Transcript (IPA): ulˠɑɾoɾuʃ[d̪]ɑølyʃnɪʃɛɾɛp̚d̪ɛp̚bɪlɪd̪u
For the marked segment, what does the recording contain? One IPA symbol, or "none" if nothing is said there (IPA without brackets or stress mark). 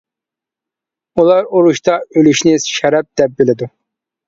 t̪